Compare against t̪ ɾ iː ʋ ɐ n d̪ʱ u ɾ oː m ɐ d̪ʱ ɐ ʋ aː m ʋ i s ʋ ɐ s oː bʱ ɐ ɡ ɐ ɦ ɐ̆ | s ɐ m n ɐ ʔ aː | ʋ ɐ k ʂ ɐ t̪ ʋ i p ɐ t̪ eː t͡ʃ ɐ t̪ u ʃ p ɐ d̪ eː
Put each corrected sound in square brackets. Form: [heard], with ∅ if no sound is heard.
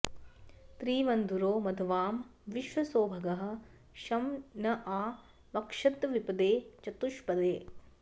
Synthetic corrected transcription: t̪ ɾ iː ʋ ɐ n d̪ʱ u ɾ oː m ɐ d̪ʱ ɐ ʋ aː m ʋ i [ʃ] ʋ ɐ s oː bʱ ɐ ɡ ɐ ɦ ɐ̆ | [ʃ] ɐ m n ɐ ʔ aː | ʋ ɐ k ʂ ɐ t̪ ʋ i p ɐ [d̪] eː t͡ʃ ɐ t̪ u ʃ p ɐ d̪ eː